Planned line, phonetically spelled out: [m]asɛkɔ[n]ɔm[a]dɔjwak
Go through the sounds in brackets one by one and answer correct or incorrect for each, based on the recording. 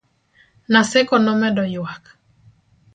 incorrect: n, correct, incorrect: ɛ

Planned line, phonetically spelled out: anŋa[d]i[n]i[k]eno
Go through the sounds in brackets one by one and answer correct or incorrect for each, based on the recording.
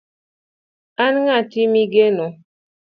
incorrect: t, incorrect: m, incorrect: ɡ

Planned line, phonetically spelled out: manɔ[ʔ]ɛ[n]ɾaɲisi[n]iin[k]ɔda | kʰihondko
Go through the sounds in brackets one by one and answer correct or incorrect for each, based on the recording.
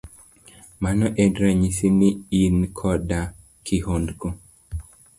correct, incorrect: d, correct, incorrect: kʰ

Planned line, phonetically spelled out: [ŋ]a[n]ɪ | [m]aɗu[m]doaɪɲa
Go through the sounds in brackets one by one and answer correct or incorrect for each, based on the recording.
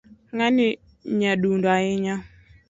correct, correct, incorrect: ɲ, incorrect: n

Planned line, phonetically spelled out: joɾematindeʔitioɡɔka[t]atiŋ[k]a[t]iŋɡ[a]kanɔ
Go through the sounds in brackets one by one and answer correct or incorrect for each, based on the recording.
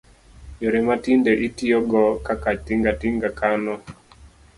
incorrect: k, incorrect: ɡ, correct, correct

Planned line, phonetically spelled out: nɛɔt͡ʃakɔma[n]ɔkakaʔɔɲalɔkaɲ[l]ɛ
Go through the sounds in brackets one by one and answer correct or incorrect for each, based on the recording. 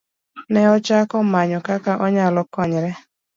incorrect: ɲ, incorrect: ɾ

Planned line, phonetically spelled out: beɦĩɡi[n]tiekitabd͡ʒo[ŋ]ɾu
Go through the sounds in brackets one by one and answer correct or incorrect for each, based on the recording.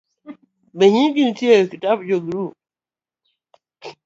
correct, incorrect: ɡ

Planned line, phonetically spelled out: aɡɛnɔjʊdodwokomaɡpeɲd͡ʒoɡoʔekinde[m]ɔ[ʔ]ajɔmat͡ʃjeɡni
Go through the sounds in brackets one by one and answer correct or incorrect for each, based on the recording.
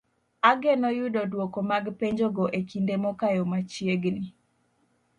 correct, incorrect: k

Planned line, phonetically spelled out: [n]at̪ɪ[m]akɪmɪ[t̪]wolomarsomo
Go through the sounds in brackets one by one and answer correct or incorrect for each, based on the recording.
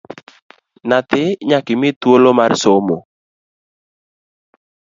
correct, incorrect: ɲ, correct

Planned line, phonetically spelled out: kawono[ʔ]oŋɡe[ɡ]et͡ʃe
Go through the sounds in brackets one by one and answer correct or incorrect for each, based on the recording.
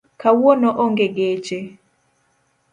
correct, correct

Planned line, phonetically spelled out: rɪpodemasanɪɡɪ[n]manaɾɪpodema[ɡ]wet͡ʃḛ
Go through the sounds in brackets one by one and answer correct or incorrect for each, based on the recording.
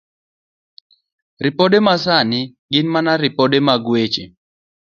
correct, correct

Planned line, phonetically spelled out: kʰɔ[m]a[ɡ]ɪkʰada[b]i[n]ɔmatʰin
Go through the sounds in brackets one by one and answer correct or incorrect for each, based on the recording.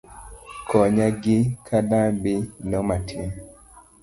incorrect: ɲ, correct, correct, correct

